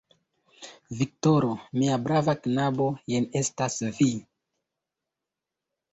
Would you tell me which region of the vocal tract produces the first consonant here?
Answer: lips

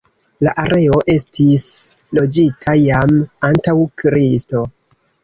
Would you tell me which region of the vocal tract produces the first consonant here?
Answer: tongue tip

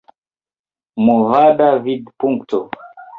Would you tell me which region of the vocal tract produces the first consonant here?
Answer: lips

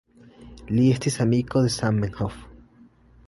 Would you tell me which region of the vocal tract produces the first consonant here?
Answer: tongue tip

